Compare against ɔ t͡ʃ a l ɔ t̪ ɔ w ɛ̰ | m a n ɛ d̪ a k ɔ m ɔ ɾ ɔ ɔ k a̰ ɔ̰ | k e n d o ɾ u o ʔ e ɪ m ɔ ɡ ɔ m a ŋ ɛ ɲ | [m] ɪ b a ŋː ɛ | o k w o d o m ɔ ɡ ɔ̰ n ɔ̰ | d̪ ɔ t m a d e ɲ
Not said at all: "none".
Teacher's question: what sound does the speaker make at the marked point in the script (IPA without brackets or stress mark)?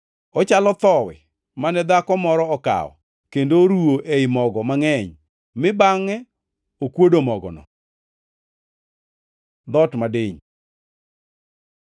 m